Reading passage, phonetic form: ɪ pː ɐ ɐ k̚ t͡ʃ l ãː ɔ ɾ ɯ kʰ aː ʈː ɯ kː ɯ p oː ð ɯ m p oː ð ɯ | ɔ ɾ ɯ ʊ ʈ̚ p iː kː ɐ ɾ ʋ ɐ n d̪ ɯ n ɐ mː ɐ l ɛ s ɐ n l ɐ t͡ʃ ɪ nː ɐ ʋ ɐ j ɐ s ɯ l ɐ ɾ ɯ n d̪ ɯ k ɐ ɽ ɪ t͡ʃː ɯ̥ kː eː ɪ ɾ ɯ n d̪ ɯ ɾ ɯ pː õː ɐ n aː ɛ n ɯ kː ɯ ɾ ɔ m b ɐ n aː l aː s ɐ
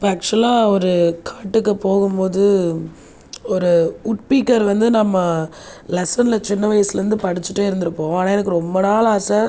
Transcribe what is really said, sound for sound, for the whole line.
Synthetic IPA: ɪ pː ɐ ɐ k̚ t͡ʃ l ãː ɔ ɾ ɯ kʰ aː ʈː ɯ kː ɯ p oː ɣ ɯ m p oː ð ɯ | ɔ ɾ ɯ ʊ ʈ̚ p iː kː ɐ ɾ ʋ ɐ n d̪ ɯ n ɐ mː ɐ l ɛ s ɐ n l ɐ t͡ʃ ɪ nː ɐ ʋ ɐ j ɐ s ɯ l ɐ ɾ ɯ n d̪ ɯ p ɐ ɽ ɪ t͡ʃː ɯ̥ ʈː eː ɪ ɾ ɯ n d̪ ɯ ɾ ɯ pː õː ɐ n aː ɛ n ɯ kː ɯ ɾ ɔ m b ɐ n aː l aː s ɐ